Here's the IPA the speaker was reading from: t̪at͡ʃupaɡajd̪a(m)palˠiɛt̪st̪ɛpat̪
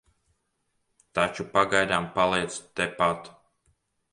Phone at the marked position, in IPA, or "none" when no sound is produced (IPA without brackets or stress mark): m